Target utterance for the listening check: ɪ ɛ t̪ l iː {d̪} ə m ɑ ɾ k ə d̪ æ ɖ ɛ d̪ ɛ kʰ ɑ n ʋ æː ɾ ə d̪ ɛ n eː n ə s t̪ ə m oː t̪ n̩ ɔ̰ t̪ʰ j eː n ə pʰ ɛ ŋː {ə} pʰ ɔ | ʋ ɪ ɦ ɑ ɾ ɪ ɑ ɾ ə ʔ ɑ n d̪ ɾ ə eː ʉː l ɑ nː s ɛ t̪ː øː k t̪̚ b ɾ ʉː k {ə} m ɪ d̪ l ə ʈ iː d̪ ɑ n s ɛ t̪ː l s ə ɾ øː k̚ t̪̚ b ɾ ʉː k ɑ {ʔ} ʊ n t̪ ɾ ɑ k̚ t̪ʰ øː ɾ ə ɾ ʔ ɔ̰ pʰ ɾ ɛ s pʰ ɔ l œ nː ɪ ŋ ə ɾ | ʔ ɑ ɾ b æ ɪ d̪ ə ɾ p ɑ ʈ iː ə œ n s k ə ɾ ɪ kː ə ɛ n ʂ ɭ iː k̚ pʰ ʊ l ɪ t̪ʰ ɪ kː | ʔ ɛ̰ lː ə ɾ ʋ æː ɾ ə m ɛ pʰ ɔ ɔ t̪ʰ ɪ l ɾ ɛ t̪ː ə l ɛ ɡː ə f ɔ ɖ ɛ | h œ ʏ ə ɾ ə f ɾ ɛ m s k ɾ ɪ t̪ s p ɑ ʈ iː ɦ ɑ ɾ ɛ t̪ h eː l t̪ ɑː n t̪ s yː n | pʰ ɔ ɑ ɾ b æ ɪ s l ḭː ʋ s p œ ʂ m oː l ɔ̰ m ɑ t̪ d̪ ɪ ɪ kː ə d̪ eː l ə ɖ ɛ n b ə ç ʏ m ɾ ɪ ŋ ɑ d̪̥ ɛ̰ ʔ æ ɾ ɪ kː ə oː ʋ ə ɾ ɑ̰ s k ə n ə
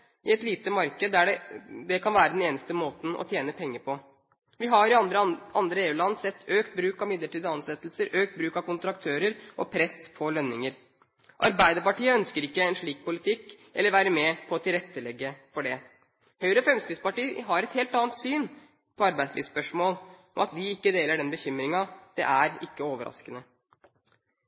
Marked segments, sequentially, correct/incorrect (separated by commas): incorrect, correct, incorrect, incorrect